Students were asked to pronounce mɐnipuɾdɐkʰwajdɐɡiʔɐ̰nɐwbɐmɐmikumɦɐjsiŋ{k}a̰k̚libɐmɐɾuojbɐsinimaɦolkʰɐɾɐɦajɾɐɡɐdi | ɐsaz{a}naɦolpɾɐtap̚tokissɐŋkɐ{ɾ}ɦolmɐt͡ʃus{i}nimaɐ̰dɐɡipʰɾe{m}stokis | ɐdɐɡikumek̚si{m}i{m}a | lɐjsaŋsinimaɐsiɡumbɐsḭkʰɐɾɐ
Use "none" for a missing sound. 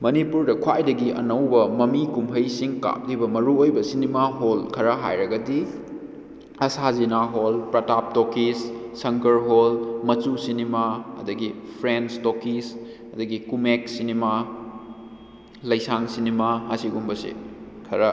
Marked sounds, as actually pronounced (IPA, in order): k, i, ɾ, i, n, n, m

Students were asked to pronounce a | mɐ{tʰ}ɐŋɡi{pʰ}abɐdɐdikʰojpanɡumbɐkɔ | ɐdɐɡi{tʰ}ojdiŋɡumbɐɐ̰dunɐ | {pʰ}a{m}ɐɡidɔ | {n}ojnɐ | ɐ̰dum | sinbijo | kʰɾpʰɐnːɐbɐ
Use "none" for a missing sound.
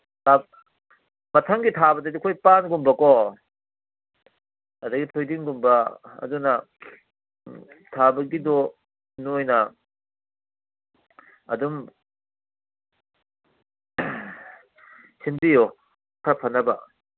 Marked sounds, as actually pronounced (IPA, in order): tʰ, tʰ, tʰ, tʰ, b, n

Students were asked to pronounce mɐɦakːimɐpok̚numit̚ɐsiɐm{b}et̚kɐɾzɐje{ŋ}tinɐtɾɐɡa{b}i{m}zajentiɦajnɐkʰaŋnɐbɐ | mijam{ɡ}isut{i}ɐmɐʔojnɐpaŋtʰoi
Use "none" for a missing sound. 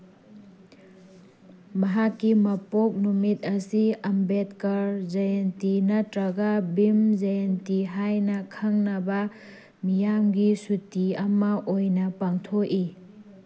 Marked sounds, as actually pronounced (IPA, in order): b, n, b, m, ɡ, i

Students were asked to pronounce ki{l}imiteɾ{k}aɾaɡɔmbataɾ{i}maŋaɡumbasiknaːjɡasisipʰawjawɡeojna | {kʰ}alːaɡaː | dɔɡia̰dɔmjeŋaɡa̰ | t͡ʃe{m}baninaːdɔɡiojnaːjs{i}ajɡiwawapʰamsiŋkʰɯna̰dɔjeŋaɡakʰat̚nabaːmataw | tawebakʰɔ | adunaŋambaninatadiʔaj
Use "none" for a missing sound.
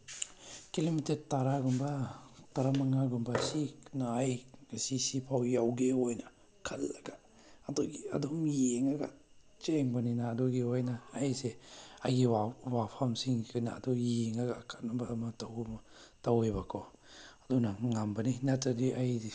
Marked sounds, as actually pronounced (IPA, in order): l, t, a, kʰ, ŋ, e

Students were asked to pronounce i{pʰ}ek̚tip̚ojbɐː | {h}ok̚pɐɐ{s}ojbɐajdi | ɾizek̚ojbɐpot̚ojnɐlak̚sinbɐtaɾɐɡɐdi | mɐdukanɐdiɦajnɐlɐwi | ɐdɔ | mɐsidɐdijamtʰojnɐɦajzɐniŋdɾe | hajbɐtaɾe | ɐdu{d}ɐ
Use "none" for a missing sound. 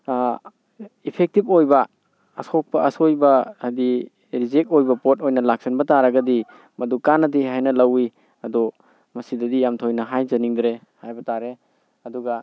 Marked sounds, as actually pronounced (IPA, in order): pʰ, s, s, ɡ

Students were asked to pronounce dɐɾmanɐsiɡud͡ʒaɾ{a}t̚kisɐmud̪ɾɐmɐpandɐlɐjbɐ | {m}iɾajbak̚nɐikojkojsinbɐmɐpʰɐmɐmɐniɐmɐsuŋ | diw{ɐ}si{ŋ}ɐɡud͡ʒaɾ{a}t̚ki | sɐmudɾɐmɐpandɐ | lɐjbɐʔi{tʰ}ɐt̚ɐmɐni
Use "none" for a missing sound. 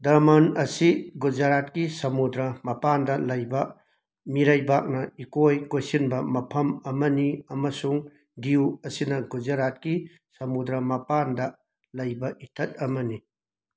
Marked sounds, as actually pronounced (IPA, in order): a, m, ɐ, n, a, tʰ

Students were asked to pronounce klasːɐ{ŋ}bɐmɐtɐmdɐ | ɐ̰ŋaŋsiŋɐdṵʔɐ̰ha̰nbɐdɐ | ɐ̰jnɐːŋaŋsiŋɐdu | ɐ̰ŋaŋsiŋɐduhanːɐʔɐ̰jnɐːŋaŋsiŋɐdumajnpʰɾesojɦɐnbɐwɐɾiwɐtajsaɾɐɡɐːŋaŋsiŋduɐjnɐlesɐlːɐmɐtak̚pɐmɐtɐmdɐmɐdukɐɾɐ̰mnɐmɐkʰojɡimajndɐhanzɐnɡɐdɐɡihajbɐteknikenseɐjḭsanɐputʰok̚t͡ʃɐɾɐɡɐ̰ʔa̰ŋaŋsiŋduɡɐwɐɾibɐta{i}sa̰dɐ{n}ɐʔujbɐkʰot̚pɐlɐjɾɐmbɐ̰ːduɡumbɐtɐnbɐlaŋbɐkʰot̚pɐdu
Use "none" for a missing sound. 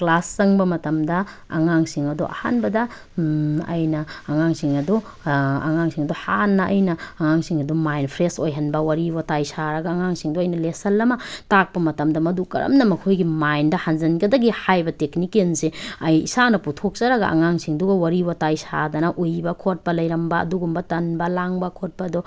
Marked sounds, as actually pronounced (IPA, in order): ŋ, j, n

